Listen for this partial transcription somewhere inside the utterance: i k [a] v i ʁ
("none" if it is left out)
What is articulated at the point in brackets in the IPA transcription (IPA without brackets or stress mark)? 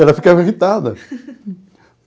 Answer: a